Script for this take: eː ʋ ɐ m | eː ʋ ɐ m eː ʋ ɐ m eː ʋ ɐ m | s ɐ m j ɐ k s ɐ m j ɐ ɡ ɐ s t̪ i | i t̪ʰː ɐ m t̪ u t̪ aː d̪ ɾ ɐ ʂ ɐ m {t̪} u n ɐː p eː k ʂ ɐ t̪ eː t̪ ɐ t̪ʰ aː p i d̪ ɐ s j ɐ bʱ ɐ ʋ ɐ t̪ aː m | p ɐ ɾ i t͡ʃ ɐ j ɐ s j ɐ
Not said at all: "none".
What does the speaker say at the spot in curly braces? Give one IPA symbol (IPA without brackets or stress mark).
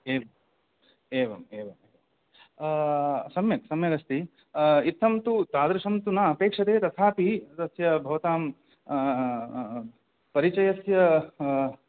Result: t̪